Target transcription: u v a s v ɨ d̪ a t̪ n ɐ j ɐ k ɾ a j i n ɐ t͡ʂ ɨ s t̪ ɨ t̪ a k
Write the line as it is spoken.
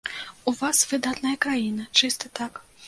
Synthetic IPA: u v a s v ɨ d̪ a t̪ n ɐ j ɐ k ɾ a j i n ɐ t͡ʂ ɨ s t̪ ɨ t̪ a k

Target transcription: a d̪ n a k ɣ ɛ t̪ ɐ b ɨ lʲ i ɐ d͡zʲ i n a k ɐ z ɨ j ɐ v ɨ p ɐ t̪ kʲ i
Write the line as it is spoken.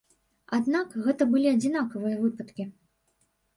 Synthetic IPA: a d̪ n a k ɣ ɛ t̪ ɐ b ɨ lʲ i ɐ d͡zʲ i n a k ɐ v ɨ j ɐ v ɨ p ɐ t̪ kʲ i

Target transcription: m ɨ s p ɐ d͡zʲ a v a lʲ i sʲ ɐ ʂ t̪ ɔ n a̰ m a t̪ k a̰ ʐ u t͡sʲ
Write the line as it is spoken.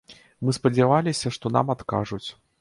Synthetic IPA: m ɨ s p ɐ d͡zʲ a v a lʲ i sʲ ɐ ʂ t̪ ɔ n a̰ m a t̪ k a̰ ʐ u t͡sʲ

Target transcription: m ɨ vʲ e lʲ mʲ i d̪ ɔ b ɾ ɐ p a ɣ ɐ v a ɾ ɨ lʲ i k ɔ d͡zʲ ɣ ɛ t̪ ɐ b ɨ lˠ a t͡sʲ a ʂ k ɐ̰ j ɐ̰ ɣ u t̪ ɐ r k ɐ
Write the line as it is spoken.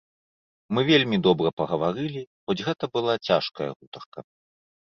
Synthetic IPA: m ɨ vʲ e lʲ mʲ i d̪ ɔ b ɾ ɐ p ɐ ɣ ɐ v a ɾ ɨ lʲ i x ɔ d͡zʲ ɣ ɛ t̪ ɐ b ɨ lˠ a t͡sʲ a ʂ k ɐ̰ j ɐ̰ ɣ u t̪ ɐ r k ɐ

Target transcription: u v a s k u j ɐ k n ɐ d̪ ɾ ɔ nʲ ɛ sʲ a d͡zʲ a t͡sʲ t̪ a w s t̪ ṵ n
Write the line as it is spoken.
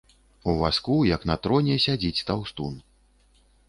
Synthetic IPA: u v a s k u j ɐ k n ɐ t̪ ɾ ɔ nʲ ɛ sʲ a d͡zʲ i t͡sʲ t̪ a w s t̪ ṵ n

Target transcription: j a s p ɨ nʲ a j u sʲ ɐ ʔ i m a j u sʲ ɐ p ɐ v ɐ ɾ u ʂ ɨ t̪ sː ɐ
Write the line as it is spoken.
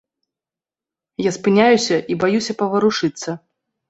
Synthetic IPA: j a s p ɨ nʲ a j u sʲ ɐ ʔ i b a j u sʲ ɐ p ɐ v ɐ ɾ u ʂ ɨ t̪ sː ɐ

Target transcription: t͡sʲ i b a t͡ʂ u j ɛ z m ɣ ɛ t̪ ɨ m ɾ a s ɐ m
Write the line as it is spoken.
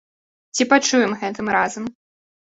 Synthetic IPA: t͡sʲ i p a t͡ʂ u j ɛ m ɣ ɛ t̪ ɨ m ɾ a z ɐ m

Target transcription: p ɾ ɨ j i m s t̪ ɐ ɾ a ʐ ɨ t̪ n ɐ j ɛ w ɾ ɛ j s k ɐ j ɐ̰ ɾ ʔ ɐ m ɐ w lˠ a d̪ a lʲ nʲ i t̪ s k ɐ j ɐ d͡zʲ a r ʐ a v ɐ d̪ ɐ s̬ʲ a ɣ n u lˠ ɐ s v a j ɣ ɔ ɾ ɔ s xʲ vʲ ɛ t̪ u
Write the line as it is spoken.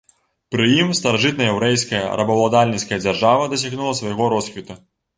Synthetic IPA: p ɾ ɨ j i m s t̪ ɐ ɾ a ʐ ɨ t̪ n ɐ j ɛ w ɾ ɛ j s k ɐ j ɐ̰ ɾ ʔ ɐ b ɐ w lˠ a d̪ a lʲ nʲ i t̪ s k ɐ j ɐ d͡zʲ a r ʐ a v ɐ d̪ ɐ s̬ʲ a ɣ n u lˠ ɐ s v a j ɣ ɔ ɾ ɔ s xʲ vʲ i t̪ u

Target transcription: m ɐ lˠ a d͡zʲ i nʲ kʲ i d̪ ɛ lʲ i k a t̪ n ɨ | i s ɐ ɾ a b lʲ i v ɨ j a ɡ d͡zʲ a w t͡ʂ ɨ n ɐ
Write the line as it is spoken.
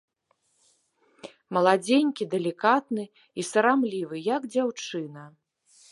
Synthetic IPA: m ɐ lˠ a d͡zʲ e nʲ kʲ i d̪ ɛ lʲ i k a t̪ n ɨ | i s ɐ ɾ a m lʲ i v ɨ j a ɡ d͡zʲ a w t͡ʂ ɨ n ɐ

